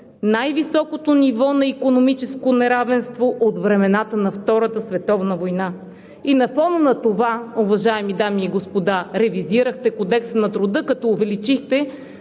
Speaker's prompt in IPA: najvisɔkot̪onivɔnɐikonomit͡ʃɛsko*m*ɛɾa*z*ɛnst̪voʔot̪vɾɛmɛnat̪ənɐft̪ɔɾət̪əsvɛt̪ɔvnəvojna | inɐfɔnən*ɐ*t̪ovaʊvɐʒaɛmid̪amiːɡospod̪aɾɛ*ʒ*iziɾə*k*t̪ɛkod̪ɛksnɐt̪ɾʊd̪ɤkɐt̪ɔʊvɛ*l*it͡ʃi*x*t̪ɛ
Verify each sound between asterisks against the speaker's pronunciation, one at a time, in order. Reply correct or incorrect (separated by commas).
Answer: incorrect, incorrect, correct, incorrect, incorrect, correct, correct